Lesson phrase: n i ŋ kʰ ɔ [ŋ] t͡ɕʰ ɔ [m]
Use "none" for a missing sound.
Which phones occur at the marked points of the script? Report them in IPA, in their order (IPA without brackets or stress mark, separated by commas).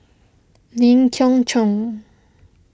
ŋ, ŋ